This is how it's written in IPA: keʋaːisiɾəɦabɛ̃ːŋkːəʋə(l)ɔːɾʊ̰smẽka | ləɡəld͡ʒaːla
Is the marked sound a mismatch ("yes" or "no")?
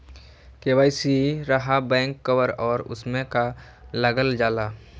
yes